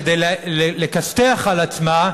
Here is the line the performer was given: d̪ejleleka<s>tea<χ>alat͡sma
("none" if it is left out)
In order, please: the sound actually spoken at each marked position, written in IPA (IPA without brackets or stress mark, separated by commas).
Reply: s, χ